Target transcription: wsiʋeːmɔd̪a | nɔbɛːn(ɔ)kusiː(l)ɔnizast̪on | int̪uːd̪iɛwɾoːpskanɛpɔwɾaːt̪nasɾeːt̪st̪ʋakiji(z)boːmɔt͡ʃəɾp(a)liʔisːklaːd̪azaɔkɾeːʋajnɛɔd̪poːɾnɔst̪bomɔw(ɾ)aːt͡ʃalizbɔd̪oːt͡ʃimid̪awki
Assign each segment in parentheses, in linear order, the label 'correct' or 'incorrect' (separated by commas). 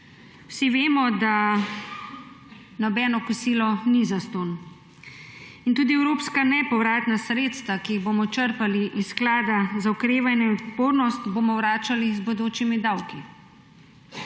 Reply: correct, correct, incorrect, correct, correct